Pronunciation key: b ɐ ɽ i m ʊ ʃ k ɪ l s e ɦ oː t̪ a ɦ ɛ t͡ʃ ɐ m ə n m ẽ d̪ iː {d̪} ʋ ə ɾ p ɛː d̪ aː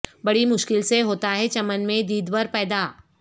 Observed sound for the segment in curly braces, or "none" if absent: d̪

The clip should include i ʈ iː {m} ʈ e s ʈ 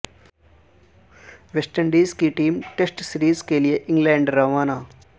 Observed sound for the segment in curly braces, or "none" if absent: m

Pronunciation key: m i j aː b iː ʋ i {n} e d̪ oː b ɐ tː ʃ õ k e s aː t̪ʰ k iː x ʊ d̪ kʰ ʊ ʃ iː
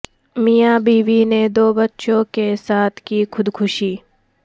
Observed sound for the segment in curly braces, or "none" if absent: n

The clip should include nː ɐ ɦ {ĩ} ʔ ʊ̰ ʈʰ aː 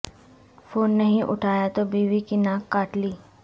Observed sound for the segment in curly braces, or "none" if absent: ĩ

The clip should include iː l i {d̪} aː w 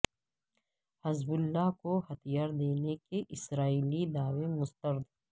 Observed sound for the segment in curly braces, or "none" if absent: d̪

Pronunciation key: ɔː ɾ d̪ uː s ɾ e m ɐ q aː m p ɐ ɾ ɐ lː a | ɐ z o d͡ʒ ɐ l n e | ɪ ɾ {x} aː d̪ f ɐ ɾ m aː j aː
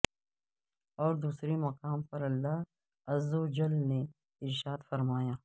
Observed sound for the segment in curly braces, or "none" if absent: ʃ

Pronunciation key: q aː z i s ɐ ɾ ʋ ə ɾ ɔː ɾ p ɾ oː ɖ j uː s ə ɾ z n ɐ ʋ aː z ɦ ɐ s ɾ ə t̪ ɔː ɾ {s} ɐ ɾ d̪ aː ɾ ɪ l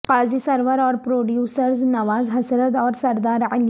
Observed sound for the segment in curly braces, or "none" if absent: s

